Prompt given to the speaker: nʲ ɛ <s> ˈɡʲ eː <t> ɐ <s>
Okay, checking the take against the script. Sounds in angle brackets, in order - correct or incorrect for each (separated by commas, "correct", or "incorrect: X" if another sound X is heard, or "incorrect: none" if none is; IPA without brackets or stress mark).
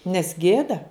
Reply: correct, incorrect: d, incorrect: none